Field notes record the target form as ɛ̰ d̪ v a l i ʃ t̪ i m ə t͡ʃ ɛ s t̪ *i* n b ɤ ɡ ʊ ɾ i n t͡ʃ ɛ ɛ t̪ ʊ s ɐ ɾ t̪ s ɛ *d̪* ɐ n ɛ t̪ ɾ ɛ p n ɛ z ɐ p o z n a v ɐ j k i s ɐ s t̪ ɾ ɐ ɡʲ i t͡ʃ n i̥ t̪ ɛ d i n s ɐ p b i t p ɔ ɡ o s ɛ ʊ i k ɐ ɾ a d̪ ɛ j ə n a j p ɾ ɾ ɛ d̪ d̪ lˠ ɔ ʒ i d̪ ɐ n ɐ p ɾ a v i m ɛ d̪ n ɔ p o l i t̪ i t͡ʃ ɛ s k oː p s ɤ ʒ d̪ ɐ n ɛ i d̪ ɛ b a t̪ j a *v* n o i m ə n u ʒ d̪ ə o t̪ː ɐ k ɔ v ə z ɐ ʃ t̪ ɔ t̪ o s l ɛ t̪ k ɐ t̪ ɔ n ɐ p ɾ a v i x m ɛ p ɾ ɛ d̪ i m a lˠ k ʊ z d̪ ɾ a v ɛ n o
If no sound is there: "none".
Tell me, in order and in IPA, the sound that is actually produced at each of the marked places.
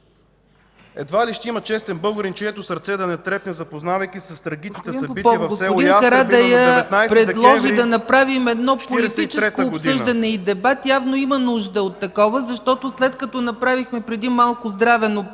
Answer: ɛ, d̪, v

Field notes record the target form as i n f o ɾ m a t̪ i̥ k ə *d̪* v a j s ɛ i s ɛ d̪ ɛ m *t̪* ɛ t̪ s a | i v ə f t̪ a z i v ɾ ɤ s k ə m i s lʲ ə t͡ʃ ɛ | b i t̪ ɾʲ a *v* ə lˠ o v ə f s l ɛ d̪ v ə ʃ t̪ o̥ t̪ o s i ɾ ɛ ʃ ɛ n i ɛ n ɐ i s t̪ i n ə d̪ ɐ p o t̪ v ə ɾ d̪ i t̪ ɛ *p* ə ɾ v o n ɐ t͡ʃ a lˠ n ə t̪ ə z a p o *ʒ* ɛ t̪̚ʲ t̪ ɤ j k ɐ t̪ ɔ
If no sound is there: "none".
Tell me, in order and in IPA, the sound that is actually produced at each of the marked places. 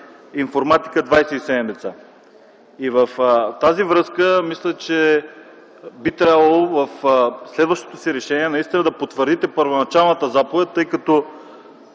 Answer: d̪, d̪, b, p, v

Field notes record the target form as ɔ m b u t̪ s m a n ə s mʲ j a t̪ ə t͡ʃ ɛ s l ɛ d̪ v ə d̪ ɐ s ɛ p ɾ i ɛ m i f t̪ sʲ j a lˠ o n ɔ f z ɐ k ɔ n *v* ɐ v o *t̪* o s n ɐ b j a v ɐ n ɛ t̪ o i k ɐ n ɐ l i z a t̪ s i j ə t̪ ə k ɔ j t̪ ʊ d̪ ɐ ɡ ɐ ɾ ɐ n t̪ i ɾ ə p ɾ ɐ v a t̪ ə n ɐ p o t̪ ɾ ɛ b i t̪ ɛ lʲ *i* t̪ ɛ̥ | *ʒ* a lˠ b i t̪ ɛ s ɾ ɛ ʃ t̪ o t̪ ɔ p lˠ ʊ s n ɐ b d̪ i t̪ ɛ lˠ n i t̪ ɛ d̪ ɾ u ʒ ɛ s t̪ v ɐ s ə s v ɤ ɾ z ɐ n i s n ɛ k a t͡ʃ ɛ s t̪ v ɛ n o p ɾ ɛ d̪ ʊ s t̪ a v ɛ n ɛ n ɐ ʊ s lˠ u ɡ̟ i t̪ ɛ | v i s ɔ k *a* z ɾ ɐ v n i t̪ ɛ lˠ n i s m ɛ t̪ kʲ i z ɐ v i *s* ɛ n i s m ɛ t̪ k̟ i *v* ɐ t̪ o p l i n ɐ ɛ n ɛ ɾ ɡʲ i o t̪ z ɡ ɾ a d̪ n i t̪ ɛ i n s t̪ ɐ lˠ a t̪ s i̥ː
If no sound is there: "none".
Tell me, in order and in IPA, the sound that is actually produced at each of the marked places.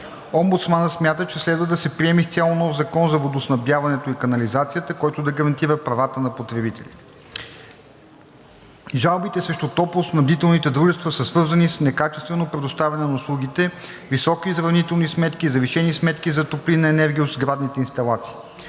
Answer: z, d̪, i, ʒ, i, ʃ, z

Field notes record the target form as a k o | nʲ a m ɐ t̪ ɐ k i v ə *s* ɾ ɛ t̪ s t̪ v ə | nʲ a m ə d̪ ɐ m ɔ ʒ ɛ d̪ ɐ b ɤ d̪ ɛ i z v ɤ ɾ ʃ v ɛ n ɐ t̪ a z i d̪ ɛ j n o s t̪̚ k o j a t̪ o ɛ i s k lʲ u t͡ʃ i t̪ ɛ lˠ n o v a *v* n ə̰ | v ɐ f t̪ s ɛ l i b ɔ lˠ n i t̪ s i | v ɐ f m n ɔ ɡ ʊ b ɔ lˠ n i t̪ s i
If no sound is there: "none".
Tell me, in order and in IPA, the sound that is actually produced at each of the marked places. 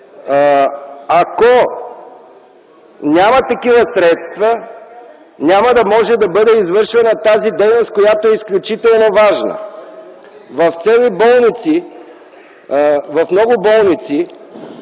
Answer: s, ʒ

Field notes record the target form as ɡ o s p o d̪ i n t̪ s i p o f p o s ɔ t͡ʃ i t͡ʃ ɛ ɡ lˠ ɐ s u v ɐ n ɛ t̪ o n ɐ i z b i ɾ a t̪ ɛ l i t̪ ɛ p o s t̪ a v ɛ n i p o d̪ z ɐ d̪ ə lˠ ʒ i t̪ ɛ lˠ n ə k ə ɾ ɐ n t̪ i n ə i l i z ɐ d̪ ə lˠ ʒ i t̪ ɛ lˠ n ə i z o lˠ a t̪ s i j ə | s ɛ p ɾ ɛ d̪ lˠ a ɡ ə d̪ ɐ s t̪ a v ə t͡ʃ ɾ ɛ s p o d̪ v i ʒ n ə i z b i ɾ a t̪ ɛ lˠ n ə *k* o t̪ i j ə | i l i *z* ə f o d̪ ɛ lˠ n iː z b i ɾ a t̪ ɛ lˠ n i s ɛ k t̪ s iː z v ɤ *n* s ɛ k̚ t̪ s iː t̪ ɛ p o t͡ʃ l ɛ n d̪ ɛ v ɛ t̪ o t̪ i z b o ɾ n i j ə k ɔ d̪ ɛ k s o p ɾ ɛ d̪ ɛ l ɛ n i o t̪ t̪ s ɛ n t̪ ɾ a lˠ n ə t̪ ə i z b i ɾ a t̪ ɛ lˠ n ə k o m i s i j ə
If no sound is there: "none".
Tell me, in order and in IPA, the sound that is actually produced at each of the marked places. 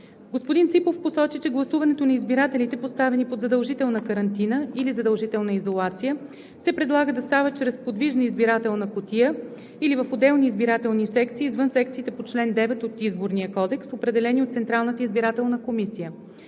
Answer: k, v, n

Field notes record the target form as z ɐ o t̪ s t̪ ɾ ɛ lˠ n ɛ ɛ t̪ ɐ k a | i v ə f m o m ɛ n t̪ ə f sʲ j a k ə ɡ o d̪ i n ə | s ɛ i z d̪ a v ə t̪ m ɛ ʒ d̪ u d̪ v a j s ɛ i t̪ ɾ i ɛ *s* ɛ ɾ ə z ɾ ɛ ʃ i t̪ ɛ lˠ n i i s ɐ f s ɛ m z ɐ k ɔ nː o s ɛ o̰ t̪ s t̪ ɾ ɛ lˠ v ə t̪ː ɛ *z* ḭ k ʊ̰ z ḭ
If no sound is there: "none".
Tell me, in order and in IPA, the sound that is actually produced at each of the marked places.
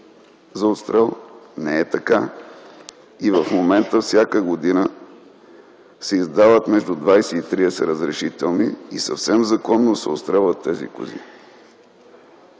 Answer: s, z

